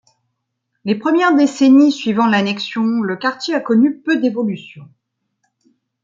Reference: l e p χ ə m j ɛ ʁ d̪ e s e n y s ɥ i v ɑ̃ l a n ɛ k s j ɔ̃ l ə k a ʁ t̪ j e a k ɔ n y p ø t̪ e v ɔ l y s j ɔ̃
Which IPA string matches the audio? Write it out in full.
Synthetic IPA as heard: l e p χ ə m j ɛ ʁ d̪ e s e n i s ɥ i v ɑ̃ l a n ɛ k s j ɔ̃ l ə k a ʁ t̪ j e a k ɔ n y p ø d̪ e v ɔ l y s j ɔ̃